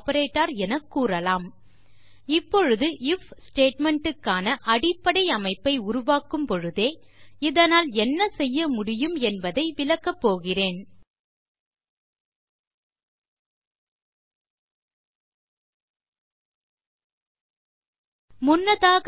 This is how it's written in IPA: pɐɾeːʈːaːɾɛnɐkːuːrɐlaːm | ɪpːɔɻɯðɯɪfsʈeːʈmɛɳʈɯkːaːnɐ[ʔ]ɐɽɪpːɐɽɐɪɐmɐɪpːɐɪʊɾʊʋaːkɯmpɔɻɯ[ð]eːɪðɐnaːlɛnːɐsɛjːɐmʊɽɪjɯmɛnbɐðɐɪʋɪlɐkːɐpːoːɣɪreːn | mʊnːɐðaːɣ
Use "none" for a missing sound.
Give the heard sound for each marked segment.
ʔ, ð

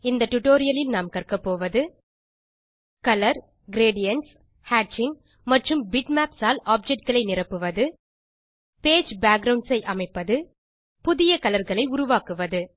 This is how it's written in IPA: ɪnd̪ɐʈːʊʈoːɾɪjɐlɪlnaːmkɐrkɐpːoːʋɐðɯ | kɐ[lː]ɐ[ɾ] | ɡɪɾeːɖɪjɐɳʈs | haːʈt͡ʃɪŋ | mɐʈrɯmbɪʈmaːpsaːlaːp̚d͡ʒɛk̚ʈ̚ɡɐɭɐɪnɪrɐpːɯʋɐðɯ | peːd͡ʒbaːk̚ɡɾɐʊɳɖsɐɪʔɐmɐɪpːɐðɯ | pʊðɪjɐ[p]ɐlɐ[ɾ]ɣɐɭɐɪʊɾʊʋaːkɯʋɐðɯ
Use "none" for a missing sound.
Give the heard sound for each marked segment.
l, ɾ, k, ɾ

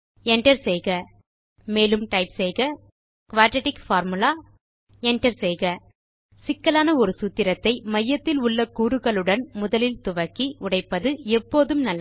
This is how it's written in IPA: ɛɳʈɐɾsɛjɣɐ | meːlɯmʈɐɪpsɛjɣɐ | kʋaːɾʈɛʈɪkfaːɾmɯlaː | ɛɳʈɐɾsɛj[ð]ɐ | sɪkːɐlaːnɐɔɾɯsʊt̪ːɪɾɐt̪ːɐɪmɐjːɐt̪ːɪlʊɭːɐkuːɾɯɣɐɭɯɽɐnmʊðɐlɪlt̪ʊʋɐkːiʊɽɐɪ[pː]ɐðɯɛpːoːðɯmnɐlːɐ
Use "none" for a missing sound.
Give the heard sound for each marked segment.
ɣ, pː

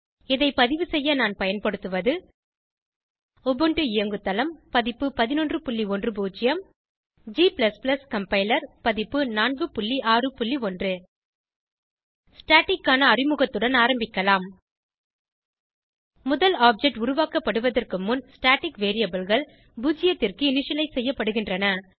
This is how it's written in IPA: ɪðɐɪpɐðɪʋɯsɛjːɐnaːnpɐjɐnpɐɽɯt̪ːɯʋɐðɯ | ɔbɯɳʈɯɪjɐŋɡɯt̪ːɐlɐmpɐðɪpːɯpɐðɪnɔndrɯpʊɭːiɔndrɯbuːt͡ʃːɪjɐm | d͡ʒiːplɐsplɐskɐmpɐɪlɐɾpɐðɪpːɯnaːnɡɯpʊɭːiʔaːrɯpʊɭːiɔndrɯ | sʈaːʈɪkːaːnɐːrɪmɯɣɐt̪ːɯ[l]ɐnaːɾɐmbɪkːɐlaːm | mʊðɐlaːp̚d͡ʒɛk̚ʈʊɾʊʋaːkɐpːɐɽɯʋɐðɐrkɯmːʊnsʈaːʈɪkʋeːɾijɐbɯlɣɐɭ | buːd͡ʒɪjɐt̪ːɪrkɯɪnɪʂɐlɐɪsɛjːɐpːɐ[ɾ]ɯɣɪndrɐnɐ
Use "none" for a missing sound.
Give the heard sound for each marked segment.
ɽ, ɽ

